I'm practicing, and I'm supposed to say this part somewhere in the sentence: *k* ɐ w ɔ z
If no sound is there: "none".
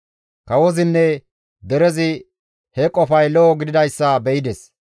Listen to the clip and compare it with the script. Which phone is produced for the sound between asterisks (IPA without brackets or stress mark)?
k